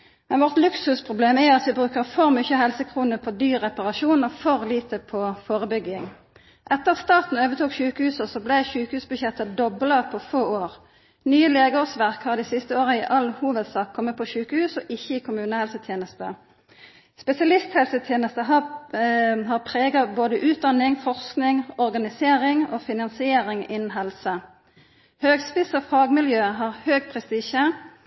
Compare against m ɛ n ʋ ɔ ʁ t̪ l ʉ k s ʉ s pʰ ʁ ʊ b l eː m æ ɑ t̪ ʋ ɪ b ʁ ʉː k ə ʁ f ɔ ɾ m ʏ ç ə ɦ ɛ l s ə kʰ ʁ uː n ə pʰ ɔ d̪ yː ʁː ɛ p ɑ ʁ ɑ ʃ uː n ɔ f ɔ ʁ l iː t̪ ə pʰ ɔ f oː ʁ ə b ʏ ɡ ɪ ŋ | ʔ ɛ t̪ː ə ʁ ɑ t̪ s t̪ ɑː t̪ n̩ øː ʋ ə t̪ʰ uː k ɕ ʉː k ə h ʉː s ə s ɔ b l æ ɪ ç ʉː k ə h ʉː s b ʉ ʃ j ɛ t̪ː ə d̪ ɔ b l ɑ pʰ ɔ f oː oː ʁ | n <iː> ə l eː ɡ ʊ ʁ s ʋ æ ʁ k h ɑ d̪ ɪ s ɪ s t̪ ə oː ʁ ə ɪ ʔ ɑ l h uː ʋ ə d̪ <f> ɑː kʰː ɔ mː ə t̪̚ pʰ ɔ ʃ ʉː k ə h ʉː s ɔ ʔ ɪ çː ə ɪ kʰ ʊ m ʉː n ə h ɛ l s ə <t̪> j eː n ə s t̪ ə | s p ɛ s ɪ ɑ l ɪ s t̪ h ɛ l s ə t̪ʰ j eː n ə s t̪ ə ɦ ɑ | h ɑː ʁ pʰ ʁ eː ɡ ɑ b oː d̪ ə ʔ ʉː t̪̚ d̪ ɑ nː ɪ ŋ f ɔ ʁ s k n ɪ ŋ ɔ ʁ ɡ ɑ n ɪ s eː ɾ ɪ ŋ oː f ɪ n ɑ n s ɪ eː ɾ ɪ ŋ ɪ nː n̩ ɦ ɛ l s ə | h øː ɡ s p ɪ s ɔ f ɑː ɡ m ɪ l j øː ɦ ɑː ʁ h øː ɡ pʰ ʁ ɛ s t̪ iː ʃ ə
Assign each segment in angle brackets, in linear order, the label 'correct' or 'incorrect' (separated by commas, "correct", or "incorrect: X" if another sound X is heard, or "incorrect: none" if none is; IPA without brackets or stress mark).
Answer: incorrect: yː, incorrect: s, incorrect: t̪ʰ